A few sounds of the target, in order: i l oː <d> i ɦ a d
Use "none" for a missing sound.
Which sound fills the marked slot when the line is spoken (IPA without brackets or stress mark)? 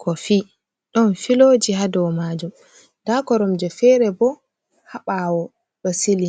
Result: d͡ʒ